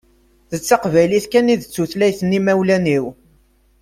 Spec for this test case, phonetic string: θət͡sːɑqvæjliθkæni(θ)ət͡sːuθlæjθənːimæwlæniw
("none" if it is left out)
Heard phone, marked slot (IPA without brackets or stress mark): ð